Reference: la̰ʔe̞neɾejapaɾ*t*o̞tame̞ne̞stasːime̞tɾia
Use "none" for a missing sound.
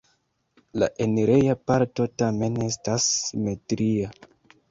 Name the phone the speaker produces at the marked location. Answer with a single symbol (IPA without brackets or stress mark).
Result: t